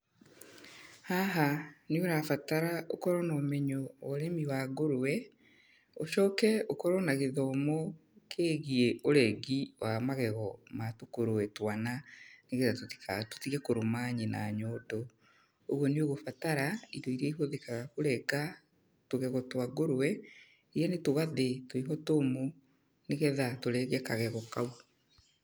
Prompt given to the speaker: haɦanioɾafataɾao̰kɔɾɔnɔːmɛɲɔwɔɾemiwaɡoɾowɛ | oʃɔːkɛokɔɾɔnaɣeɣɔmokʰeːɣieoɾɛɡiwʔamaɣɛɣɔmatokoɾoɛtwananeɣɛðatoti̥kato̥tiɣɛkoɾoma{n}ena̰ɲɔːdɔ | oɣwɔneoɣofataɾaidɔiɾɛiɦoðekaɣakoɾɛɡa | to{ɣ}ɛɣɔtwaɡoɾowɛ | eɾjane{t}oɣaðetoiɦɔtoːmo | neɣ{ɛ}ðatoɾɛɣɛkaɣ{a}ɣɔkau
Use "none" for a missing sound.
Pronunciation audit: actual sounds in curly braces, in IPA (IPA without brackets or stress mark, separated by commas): ɲ, ɣ, t, ɛ, ɛ